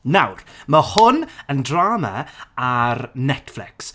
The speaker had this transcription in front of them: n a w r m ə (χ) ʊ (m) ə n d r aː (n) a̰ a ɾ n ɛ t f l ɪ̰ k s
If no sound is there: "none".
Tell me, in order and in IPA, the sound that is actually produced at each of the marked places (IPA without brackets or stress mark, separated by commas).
h, n, m